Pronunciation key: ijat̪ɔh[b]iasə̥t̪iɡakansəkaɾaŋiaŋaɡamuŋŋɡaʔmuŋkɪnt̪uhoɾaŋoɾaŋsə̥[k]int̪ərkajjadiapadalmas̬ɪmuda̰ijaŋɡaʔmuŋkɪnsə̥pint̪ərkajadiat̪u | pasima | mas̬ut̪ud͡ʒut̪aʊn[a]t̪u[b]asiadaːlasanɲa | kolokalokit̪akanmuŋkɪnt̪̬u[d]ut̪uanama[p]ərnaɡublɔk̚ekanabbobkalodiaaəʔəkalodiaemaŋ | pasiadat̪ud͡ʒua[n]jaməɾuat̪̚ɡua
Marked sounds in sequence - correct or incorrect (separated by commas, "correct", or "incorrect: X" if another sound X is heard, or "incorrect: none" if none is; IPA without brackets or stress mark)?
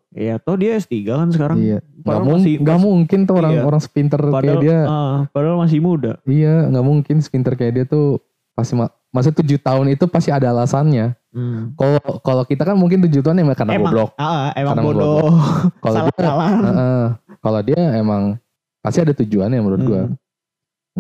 incorrect: d, incorrect: p, incorrect: i, incorrect: p, incorrect: d͡ʒ, incorrect: k, correct